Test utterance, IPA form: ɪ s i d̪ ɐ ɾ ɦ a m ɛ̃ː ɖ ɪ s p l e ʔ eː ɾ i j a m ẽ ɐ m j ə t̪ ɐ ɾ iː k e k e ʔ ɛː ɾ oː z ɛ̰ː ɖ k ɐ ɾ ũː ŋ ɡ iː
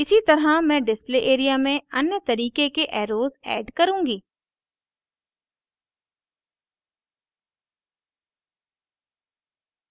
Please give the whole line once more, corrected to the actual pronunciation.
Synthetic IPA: ɪ s i t̪ ɐ ɾ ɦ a m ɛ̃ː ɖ ɪ s p l e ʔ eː ɾ i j a m ẽ ɐ n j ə t̪ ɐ ɾ iː k e k e ʔ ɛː ɾ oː z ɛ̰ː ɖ k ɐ ɾ ũː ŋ ɡ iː